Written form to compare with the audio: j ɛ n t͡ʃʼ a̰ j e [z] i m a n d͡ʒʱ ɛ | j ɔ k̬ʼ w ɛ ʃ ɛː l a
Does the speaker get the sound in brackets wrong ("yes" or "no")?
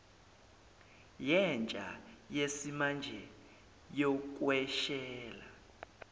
yes